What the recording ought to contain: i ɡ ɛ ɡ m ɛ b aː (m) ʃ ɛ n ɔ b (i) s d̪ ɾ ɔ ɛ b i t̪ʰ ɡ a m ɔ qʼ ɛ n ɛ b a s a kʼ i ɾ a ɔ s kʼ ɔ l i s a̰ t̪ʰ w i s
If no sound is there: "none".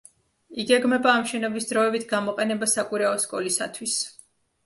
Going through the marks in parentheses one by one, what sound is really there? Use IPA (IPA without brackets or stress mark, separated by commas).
m, i